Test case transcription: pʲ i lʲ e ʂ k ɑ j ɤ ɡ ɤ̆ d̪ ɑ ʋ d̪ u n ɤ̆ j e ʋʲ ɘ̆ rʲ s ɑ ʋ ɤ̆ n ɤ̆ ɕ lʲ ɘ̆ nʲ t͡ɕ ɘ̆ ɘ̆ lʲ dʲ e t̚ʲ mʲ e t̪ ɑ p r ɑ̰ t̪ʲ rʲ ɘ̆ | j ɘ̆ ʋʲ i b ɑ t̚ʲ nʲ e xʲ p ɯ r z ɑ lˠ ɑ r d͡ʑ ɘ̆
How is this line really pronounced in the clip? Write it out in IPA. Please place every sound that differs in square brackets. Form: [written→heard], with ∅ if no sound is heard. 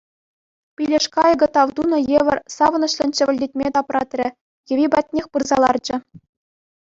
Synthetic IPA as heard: pʲ i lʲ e ʂ k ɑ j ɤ ɡ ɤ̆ [d̪→t̪] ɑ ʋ d̪ u n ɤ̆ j e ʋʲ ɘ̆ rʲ s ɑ ʋ ɤ̆ n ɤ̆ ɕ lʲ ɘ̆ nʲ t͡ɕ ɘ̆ ɘ̆ lʲ dʲ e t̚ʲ mʲ e t̪ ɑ p r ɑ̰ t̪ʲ rʲ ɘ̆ | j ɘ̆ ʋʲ i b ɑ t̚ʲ nʲ e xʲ p ɯ r z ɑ lˠ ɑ r d͡ʑ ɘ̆